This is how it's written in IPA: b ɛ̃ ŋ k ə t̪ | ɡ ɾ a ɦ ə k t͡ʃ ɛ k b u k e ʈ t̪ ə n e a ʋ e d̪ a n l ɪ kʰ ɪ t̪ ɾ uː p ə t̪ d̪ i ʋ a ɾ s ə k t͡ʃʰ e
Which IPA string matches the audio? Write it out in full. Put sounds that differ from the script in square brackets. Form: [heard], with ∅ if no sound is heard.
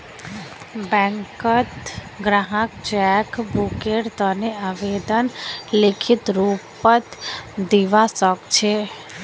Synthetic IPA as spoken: b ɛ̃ ŋ k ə t̪ | ɡ ɾ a ɦ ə k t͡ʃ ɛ k b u k e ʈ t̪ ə n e a ʋ e d̪ [ə] n l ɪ kʰ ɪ t̪ ɾ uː p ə t̪ d̪ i ʋ a [∅] s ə k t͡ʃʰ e